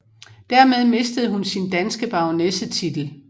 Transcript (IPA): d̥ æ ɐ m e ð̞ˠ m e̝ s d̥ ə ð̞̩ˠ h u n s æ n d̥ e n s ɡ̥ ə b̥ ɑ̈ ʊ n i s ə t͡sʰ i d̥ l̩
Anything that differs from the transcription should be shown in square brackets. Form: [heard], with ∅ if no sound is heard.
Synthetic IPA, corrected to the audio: d̥ æ ɐ m e ð̞ˠ m e̝ s d̥ ə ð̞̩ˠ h u n s [i] n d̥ [æ] n s ɡ̥ ə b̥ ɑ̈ ʊ n [e] s ə t͡sʰ i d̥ l̩